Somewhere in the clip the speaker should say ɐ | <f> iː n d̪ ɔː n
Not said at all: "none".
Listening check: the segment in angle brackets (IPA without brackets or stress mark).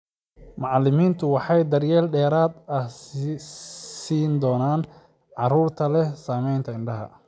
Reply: s